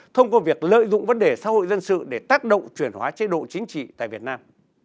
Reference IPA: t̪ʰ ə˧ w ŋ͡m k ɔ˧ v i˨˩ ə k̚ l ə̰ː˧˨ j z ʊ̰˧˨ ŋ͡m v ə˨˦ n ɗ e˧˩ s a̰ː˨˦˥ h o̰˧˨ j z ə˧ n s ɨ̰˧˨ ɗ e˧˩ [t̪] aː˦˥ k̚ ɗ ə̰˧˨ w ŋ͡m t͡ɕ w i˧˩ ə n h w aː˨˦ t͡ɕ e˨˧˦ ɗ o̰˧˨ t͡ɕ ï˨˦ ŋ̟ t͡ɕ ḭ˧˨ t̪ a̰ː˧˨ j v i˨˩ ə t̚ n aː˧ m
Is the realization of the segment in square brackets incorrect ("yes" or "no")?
no